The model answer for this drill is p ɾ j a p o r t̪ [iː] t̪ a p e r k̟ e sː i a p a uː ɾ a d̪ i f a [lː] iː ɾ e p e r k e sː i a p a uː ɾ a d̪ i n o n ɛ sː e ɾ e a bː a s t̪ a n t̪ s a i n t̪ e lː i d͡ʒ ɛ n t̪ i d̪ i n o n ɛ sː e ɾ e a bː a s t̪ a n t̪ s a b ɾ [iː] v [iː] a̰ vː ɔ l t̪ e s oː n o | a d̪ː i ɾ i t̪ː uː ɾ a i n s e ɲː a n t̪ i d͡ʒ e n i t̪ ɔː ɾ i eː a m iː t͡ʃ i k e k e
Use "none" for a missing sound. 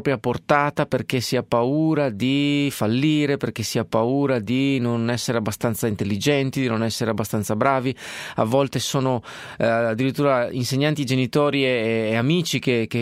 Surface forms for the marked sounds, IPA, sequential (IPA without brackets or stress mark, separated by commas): aː, lː, aː, i